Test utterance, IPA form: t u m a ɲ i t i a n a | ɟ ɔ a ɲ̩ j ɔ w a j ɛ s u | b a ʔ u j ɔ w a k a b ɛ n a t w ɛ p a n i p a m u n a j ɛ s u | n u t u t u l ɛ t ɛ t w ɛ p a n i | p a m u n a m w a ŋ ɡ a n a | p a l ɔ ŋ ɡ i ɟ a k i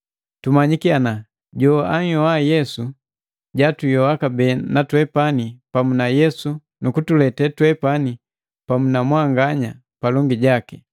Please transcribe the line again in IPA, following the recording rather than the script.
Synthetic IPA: t u m a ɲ i k i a n a | ɟ ɔ a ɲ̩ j ɔ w a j ɛ s u | ɟ a t u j ɔ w a k a b ɛ n a t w ɛ p a n i p a m u n a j ɛ s u | n u k u t u l ɛ t ɛ t w ɛ p a n i | p a m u n a m w a ŋ ɡ a ɲ a | p a l ɔ ŋ ɡ i ɟ a k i